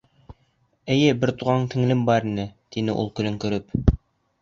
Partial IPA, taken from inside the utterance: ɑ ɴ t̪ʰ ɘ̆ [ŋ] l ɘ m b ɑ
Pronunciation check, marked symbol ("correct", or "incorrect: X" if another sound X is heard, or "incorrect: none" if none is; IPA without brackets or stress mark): correct